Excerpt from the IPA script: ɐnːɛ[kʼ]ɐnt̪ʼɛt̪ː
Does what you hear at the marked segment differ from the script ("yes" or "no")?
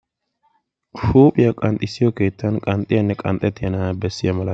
no